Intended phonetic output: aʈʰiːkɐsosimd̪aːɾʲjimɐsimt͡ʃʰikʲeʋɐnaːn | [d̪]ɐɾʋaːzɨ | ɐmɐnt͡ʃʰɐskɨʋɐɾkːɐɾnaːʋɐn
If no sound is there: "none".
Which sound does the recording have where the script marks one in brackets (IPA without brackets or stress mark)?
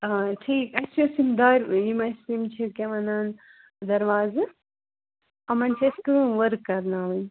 d̪